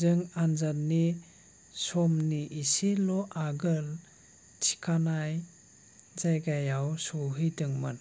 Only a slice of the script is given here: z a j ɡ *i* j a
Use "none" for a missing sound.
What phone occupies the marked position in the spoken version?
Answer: a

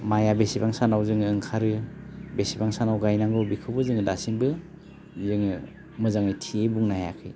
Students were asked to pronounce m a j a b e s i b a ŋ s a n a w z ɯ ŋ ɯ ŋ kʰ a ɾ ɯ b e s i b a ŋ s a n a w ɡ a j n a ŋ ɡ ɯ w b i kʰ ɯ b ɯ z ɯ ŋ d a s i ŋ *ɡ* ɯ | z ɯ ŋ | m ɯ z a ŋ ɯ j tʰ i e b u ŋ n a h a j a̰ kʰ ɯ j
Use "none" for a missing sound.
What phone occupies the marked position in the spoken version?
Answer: b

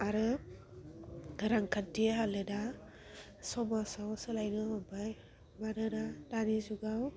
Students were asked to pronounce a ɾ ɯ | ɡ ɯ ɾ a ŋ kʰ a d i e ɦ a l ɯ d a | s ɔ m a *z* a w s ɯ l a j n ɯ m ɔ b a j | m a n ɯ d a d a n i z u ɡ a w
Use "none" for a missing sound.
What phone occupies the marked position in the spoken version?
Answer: s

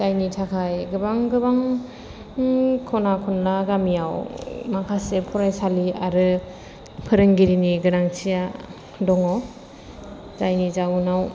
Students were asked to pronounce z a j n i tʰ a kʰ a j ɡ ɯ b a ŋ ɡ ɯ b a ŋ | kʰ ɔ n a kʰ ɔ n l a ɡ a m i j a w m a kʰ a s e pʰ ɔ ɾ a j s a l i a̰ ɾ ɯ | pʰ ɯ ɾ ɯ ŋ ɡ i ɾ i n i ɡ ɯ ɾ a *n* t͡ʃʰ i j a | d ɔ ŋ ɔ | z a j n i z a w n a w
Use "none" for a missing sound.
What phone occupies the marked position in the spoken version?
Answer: ŋ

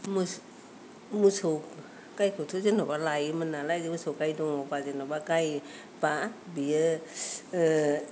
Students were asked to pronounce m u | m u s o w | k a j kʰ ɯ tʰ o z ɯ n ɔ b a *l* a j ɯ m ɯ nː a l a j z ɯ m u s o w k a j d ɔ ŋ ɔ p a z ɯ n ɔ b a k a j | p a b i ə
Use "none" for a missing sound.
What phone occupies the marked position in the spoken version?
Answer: l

